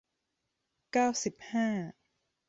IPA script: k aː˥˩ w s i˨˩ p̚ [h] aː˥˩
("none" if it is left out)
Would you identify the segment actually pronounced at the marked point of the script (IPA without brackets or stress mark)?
h